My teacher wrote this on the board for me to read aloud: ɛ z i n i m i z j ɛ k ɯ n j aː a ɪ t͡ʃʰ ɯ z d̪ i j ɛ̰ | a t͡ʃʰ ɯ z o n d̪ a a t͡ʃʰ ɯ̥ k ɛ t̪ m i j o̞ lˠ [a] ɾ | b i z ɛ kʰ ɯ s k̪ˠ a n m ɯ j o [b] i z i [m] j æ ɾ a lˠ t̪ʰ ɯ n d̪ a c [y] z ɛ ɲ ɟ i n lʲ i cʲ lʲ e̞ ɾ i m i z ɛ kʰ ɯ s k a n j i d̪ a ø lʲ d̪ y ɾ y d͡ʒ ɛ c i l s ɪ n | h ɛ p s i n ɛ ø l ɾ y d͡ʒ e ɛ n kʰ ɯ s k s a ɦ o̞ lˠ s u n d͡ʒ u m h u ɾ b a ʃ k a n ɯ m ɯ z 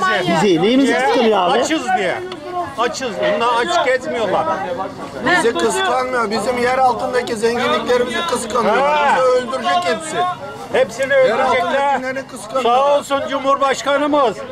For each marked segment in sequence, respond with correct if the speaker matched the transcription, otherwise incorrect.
correct, correct, correct, incorrect: i

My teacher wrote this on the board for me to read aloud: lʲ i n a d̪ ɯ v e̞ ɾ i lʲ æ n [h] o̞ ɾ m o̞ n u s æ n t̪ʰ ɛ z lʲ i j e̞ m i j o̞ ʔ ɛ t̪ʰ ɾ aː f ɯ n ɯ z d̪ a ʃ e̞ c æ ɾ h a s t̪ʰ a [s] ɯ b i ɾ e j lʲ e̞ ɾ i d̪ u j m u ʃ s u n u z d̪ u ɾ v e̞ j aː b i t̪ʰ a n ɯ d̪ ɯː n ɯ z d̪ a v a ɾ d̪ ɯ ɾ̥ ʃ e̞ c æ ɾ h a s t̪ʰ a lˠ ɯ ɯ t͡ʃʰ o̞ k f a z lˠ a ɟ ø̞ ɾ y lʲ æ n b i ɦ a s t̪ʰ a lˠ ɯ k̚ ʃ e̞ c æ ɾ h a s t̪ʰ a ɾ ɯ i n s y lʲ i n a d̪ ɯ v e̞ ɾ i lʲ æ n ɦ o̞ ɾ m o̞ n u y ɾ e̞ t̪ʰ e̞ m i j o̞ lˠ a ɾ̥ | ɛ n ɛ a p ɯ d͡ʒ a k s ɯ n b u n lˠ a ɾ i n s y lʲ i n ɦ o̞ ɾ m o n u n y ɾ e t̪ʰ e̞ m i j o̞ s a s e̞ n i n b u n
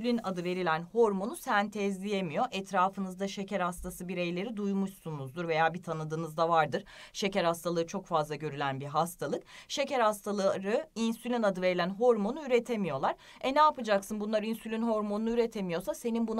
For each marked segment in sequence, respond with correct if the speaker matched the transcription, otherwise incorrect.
correct, correct

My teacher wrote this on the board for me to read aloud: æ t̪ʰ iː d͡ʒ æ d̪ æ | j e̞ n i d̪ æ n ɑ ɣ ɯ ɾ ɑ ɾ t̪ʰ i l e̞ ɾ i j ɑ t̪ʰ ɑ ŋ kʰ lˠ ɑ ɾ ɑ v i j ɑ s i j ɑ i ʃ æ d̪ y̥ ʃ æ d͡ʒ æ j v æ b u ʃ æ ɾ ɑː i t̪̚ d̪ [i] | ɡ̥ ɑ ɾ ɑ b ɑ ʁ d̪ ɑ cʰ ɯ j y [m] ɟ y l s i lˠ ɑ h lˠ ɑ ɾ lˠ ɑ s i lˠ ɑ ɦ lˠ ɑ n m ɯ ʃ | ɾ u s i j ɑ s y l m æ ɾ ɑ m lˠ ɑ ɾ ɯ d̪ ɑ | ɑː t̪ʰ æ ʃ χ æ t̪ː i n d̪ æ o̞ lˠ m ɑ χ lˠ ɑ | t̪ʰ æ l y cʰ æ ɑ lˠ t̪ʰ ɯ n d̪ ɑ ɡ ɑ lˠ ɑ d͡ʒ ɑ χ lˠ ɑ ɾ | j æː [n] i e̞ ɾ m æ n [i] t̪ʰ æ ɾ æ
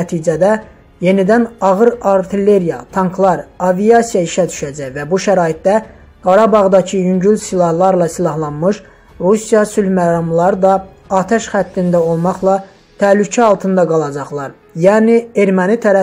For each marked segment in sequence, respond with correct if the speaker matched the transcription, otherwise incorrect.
incorrect: æ, incorrect: ɲ, correct, correct

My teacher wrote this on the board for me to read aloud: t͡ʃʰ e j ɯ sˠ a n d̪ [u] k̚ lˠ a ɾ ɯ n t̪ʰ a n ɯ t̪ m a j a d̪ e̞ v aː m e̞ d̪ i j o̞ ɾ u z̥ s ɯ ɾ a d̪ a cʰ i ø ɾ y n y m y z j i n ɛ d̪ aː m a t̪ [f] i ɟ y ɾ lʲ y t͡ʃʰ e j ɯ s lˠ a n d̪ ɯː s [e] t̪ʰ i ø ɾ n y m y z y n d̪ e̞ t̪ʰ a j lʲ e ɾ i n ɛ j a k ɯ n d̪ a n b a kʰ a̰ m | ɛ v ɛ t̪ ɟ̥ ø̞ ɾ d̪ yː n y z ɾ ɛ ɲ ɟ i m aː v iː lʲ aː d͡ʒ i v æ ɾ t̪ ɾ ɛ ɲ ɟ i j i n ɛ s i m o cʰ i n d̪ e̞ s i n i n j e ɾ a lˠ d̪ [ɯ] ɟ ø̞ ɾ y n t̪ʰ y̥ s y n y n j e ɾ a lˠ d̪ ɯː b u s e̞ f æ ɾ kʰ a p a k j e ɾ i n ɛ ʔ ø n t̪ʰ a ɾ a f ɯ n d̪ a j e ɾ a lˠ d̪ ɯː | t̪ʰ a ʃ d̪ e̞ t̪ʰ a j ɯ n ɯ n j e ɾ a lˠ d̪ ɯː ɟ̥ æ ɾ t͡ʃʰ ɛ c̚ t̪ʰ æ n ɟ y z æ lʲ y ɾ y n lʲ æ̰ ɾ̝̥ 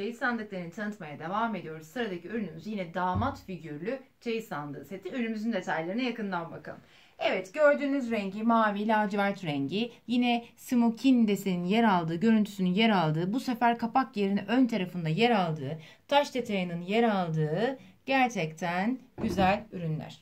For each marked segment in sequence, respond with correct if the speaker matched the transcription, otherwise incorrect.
incorrect: ɯ, correct, correct, incorrect: ɯː

